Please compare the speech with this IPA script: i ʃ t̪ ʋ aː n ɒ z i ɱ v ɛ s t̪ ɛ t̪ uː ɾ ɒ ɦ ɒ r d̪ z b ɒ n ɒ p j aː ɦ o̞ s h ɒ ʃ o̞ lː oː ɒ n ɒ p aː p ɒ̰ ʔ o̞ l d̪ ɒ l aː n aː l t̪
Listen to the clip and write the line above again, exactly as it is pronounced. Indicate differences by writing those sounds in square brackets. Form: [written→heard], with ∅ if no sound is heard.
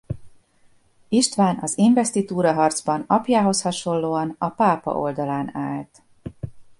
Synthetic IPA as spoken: i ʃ t̪ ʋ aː n ɒ z i ɱ v ɛ s t̪ [ɛ→i] t̪ uː ɾ ɒ ɦ ɒ r d̪ z b ɒ n ɒ p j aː ɦ o̞ s h ɒ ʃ o̞ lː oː ɒ n ɒ p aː p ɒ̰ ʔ o̞ l d̪ ɒ l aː n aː l t̪